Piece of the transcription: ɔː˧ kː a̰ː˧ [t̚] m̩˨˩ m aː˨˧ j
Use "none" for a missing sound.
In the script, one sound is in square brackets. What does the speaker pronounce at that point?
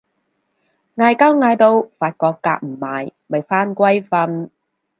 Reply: k̚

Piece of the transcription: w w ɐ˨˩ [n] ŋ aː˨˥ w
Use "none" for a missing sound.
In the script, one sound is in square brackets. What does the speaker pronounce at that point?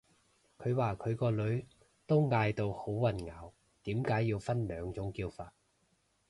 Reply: n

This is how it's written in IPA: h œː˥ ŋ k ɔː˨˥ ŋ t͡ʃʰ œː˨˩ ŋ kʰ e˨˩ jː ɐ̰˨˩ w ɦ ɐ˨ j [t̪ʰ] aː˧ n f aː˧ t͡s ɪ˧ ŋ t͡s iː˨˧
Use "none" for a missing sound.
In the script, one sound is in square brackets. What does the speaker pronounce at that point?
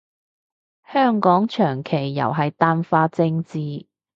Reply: t̪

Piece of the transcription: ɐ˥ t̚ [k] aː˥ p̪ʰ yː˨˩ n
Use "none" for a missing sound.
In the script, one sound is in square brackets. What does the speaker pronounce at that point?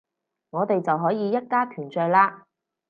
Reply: k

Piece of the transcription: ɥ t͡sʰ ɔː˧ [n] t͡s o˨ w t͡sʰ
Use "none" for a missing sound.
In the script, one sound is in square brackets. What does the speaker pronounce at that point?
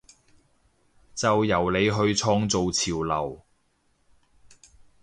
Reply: ŋ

